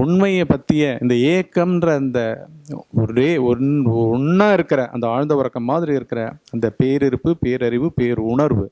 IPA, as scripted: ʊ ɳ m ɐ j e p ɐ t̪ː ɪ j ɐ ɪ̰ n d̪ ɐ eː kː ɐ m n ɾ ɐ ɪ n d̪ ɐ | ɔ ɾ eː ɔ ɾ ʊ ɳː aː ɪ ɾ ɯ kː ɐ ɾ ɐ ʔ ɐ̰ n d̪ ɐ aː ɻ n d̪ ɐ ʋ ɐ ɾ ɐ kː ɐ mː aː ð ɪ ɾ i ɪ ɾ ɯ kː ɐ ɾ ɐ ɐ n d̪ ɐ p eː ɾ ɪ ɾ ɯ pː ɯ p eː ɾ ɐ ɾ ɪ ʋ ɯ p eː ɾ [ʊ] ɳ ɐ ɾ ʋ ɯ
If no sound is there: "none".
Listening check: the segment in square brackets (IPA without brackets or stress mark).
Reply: ʊ